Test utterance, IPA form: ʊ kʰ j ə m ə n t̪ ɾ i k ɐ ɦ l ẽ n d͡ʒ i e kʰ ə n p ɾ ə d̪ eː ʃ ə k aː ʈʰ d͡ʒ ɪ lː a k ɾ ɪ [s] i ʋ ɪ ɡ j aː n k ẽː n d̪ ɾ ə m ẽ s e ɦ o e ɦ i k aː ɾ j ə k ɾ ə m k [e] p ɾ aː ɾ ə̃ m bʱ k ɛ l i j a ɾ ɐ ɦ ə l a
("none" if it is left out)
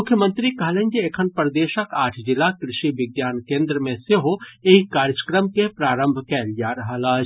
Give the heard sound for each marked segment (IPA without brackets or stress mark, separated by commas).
ʃ, e